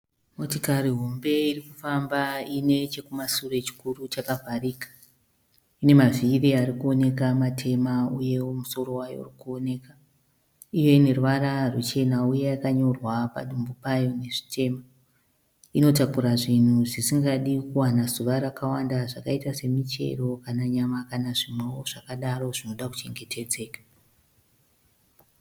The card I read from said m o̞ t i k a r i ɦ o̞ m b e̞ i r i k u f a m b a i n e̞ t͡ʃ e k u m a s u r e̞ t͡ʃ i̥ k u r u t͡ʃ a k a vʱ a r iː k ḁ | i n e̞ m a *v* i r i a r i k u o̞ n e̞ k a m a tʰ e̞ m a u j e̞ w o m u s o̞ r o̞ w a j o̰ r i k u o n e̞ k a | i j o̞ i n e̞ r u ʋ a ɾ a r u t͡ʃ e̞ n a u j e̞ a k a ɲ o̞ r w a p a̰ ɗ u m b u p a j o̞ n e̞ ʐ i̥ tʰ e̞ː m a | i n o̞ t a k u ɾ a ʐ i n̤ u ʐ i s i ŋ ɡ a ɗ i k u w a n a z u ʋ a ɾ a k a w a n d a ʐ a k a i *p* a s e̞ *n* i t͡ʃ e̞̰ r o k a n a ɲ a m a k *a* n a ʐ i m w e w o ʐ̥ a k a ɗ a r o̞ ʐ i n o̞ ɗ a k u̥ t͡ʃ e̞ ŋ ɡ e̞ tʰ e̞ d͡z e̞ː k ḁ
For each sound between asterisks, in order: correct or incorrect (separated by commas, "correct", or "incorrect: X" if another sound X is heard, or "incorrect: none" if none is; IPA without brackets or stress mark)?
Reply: correct, incorrect: t, incorrect: m, correct